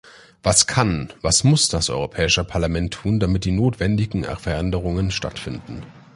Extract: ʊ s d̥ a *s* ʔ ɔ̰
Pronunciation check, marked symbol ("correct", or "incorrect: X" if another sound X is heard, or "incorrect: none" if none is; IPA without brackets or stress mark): correct